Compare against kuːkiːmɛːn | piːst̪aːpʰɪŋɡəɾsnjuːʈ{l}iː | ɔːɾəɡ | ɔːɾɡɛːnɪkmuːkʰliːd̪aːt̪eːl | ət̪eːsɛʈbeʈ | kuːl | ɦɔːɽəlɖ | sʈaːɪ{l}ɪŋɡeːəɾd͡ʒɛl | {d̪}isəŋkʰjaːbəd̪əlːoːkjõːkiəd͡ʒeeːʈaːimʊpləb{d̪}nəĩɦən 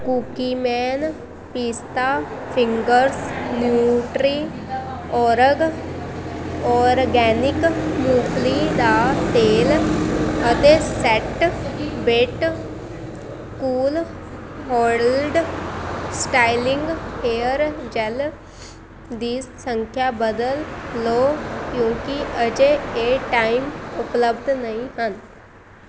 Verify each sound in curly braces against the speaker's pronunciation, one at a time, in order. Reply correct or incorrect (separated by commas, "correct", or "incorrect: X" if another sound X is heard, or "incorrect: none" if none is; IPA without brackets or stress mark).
incorrect: ɾ, correct, correct, correct